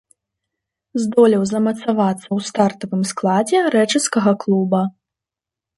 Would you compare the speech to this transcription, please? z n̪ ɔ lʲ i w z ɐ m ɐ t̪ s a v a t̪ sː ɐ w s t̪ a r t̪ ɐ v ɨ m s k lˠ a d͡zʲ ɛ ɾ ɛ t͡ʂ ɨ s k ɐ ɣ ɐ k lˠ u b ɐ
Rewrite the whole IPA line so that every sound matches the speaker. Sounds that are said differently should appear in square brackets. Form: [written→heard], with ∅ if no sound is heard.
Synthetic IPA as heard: z [n̪→d̪] ɔ lʲ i w z ɐ m ɐ t̪ s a v a t̪ sː ɐ w s t̪ a r t̪ ɐ v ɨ m s k lˠ a d͡zʲ ɛ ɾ ɛ t͡ʂ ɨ s k ɐ ɣ ɐ k lˠ u b ɐ